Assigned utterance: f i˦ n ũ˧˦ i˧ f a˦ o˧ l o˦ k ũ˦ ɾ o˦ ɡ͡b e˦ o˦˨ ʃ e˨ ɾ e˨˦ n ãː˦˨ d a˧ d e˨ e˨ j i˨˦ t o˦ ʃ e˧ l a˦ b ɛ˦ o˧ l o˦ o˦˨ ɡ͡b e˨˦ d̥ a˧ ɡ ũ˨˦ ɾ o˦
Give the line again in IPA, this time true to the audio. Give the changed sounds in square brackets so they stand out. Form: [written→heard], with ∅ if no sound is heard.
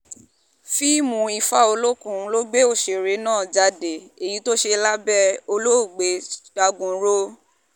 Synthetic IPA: f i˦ [n→m] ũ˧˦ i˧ f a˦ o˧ l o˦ k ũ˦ [ɾ→l] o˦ ɡ͡b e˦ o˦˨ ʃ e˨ ɾ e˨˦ n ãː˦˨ [d→d͡ʒ] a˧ d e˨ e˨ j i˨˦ t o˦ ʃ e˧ l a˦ b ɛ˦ o˧ l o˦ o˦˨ ɡ͡b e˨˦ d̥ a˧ ɡ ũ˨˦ ɾ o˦

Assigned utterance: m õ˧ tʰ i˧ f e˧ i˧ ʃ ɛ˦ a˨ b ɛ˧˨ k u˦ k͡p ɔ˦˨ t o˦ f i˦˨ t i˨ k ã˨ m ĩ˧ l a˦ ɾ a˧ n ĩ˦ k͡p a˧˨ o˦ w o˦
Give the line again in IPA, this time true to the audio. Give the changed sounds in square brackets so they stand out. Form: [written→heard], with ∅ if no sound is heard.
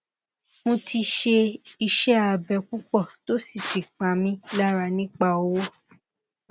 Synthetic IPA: m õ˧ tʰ i˧ [f→ʃ] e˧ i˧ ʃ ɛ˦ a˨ b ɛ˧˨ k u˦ k͡p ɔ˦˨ t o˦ [f→s] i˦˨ t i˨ [k→k͡p] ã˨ m ĩ˧ l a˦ ɾ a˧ n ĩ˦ k͡p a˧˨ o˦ w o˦

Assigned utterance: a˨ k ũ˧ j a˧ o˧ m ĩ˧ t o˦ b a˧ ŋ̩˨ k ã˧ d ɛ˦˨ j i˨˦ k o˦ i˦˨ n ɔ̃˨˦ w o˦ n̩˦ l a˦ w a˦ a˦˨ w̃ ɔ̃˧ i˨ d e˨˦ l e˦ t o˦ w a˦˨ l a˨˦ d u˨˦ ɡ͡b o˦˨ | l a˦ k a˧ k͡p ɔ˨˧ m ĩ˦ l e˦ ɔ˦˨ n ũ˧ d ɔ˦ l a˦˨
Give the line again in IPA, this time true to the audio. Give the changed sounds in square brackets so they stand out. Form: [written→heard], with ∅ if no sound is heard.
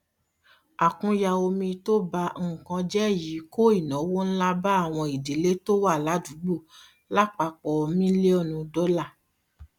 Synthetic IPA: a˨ k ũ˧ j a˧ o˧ m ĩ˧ t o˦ b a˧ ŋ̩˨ k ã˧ [d→d͡ʒ] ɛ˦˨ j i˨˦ k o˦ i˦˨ n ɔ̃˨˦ w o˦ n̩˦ l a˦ [w→b] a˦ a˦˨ w̃ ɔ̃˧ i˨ d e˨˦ l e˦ t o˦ w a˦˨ l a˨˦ d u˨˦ ɡ͡b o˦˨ | l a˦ [k→k͡p] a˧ k͡p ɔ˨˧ m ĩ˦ l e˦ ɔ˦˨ n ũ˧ d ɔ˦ l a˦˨

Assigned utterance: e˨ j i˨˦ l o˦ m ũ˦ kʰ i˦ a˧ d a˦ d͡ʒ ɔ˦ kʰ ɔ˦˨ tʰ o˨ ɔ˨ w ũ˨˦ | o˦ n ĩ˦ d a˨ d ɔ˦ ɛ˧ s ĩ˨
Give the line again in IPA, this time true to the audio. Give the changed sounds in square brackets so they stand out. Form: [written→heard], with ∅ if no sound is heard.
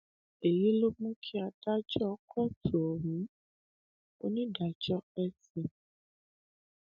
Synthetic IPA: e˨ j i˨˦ l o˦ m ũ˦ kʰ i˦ a˧ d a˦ d͡ʒ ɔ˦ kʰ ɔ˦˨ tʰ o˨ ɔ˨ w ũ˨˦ | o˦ n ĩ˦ d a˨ [d→d͡ʒ] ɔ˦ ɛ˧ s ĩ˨

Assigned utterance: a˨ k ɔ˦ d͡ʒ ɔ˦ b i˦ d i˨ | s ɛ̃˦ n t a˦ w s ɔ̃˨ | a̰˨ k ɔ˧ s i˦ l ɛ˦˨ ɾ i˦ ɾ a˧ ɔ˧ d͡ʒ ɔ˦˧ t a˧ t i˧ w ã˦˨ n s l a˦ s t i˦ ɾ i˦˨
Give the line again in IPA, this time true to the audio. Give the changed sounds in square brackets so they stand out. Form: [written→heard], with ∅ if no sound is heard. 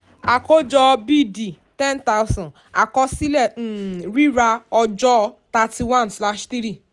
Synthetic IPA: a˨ k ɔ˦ d͡ʒ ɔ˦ b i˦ d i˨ | [s→t] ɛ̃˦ n t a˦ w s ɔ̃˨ | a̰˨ k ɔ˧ s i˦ l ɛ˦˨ ɾ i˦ ɾ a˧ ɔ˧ d͡ʒ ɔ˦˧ t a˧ t i˧ w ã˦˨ n s l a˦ [s→ʃ] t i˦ ɾ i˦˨

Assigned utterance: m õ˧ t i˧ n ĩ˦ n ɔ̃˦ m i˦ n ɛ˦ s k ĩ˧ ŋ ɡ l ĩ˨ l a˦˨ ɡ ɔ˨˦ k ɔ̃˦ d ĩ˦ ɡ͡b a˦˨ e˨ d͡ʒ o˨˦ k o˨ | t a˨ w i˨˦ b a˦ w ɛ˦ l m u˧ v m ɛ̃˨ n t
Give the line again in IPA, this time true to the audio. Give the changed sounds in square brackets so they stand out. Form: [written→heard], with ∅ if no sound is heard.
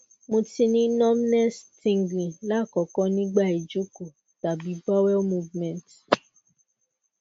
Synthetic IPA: m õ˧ t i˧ n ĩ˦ n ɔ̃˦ m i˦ n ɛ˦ s [k→t] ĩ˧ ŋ ɡ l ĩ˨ l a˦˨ [ɡ→k] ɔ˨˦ k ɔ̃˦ [d→n] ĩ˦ ɡ͡b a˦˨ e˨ d͡ʒ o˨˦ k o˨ | t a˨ [w→b] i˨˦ b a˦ w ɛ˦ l m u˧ v m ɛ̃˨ n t

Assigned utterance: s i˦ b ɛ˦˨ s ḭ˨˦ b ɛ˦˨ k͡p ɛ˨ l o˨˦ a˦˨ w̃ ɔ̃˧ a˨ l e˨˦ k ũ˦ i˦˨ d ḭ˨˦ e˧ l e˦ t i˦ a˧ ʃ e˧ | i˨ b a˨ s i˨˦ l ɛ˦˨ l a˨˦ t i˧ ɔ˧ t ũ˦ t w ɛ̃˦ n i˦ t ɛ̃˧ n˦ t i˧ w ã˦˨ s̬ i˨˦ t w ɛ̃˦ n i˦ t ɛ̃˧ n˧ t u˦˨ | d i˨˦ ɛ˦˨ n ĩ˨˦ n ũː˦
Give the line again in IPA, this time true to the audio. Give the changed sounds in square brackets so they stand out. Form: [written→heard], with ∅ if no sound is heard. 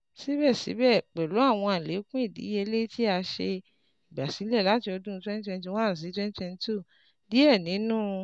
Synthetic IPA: s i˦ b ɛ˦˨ s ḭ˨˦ b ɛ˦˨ k͡p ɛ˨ l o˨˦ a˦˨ w̃ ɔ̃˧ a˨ l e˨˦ k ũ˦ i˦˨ d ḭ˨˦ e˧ l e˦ t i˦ a˧ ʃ e˧ | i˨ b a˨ s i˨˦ l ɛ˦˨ l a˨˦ t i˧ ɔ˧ [t→d] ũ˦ t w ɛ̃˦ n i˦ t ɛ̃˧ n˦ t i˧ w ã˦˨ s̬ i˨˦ t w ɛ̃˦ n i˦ t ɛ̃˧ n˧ t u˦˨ | d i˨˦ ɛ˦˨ n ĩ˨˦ n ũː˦

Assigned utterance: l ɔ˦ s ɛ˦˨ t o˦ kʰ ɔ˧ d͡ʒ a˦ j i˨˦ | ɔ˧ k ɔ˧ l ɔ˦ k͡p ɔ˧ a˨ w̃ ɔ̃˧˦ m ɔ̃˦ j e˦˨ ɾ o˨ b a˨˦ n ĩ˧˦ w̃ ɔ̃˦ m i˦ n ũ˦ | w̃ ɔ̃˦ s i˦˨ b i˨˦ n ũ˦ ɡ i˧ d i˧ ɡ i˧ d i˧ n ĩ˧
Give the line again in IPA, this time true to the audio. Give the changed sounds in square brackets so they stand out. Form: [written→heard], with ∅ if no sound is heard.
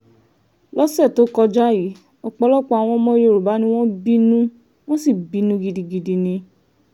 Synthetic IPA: l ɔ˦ s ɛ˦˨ t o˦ [kʰ→k] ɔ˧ d͡ʒ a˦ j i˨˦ | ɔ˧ [k→k͡p] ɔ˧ l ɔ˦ k͡p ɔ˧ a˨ w̃ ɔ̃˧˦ m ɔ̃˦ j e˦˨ ɾ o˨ b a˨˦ n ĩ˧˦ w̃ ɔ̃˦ [m→b] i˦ n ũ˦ | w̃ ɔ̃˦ s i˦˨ b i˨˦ n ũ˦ ɡ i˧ d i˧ ɡ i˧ d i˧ n ĩ˧

